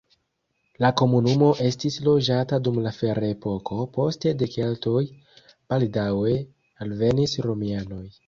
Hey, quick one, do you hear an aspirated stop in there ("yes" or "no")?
no